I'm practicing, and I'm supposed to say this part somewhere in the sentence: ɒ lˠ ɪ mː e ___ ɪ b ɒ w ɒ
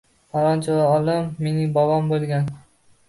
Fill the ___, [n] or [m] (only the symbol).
n